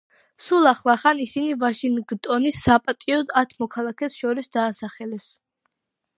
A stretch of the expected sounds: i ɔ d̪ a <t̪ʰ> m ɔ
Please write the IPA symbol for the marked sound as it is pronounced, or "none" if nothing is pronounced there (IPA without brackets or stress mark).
t̪ʰ